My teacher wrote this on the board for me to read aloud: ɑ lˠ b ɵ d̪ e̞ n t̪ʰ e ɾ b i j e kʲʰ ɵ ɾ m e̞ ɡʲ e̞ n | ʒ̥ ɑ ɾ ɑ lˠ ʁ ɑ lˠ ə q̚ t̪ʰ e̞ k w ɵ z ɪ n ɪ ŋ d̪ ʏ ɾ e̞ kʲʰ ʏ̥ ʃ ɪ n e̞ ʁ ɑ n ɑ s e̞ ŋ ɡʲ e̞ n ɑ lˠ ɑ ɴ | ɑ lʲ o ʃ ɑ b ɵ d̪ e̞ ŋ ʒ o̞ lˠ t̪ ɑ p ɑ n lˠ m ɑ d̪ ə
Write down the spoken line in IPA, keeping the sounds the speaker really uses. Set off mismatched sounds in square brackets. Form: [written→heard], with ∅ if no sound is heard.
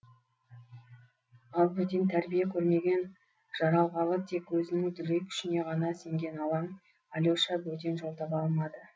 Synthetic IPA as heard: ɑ lˠ b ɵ d̪ e̞ n t̪ʰ [e→æ] ɾ b i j e kʲʰ ɵ ɾ m e̞ ɡʲ e̞ n | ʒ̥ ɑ ɾ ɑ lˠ ʁ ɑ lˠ ə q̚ t̪ʰ e̞ k w ɵ z ɪ n ɪ ŋ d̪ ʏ ɾ e̞ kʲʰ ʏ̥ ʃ ɪ n e̞ ʁ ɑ n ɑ s e̞ ŋ ɡʲ e̞ n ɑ lˠ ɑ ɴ | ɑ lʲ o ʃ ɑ b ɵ d̪ e̞ [ŋ→n] ʒ o̞ lˠ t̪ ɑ p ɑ [n→∅] lˠ m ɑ d̪ ə